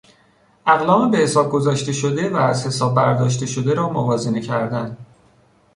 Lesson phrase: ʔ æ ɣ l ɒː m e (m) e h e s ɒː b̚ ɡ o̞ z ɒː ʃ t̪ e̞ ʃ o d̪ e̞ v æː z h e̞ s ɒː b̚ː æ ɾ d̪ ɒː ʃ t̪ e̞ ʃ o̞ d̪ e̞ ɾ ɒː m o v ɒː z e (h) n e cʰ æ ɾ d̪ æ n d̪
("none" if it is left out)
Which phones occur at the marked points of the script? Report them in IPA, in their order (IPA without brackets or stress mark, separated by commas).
b, none